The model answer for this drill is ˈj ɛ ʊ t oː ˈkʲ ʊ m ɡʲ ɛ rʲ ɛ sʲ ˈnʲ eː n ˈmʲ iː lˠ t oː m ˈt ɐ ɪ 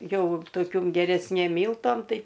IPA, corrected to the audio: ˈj ɛ ʊ t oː ˈkʲ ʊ m ɡʲ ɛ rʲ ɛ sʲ ˈnʲ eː m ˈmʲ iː lˠ t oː m ˈt ɐ ɪ